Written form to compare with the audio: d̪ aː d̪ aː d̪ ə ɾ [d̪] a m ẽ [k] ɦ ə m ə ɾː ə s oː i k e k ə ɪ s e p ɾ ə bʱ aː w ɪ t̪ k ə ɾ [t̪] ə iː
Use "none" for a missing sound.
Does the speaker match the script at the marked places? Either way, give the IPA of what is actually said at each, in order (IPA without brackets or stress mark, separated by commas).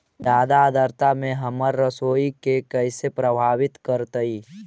t̪, none, t̪